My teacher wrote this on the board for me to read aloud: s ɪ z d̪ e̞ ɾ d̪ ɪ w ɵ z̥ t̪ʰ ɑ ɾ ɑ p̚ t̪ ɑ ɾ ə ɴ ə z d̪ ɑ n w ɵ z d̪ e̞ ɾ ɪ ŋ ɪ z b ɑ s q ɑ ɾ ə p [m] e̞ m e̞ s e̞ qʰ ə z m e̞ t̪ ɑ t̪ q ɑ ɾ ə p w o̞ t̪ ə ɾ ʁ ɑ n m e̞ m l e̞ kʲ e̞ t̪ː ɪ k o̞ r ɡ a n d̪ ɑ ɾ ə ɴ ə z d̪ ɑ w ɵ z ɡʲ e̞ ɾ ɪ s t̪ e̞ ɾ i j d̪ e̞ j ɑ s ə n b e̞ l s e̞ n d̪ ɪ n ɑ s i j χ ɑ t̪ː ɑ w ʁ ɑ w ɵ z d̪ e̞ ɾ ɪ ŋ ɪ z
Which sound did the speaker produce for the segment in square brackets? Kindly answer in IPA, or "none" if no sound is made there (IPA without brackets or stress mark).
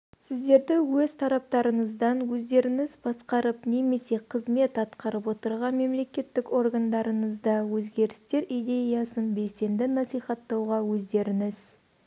n